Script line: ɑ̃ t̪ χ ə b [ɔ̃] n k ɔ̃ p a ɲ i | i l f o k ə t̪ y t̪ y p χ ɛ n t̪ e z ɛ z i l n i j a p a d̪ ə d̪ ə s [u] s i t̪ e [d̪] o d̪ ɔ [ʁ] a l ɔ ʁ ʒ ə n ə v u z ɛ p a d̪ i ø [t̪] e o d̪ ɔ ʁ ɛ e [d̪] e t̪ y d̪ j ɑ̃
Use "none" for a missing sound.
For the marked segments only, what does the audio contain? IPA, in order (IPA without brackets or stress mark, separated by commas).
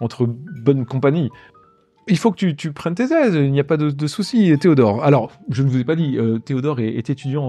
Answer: ɔ, u, none, ʁ, t̪, t̪